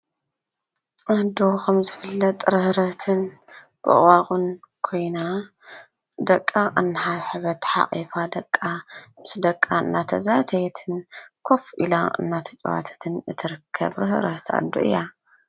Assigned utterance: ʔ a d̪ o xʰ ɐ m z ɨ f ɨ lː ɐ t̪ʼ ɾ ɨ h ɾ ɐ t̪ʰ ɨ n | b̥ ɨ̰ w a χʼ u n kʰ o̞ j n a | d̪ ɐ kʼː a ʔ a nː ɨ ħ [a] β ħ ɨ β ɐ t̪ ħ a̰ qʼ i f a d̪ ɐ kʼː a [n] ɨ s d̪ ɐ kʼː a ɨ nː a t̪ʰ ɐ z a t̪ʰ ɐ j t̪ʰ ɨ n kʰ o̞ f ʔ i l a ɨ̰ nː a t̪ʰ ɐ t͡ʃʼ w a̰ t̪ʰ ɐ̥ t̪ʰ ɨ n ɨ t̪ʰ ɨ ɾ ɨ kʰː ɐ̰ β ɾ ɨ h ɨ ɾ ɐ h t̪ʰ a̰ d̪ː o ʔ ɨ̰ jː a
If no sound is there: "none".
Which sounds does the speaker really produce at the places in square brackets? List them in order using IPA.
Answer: a, m

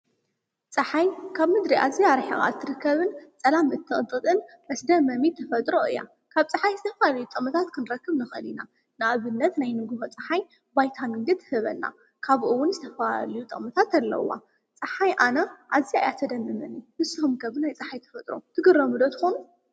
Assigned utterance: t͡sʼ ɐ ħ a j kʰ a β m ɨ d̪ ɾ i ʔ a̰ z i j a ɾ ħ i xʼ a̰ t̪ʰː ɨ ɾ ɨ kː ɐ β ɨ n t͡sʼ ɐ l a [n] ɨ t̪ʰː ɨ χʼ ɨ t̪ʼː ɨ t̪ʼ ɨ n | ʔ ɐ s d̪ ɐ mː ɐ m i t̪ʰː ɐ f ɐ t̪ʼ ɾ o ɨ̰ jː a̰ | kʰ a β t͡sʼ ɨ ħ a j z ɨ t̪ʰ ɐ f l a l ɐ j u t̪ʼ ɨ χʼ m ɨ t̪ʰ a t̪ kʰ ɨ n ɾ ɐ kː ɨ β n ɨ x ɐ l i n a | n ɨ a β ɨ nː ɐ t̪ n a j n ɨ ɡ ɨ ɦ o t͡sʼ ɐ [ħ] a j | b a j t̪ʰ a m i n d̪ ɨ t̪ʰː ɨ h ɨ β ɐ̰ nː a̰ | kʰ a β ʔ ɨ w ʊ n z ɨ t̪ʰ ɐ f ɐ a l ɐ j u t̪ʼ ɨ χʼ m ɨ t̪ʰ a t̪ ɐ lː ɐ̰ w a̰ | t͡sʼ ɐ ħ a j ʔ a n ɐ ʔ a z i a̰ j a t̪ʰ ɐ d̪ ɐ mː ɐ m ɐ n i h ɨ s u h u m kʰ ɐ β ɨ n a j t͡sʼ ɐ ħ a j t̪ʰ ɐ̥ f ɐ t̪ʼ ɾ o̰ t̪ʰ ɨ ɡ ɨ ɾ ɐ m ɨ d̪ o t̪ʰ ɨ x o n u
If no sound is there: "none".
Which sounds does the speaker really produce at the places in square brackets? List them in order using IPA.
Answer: m, ħ

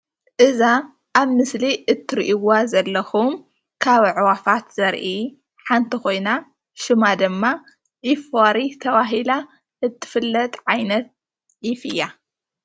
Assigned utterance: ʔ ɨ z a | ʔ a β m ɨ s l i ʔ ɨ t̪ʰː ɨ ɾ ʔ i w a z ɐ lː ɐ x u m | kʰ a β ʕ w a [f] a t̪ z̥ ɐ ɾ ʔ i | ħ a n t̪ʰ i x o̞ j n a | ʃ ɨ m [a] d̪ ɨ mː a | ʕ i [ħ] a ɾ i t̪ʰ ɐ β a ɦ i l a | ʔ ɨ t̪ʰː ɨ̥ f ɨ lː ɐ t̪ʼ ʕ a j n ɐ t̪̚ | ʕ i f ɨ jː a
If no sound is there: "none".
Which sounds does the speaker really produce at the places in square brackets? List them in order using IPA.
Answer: f, a, f

